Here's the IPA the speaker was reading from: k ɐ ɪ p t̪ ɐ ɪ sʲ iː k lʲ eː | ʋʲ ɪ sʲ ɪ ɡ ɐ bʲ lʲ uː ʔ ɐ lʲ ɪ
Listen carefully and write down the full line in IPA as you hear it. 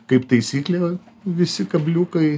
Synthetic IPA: k ɐ ɪ p t̪ ɐ ɪ sʲ iː k lʲ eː | ʋʲ ɪ sʲ ɪ k ɐ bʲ lʲ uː k ɐ ɪ